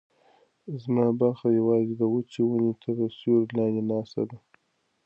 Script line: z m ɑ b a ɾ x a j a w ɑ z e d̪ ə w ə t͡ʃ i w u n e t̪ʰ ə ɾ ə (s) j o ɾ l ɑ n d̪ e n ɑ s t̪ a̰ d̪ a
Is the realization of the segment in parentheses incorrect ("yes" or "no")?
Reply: no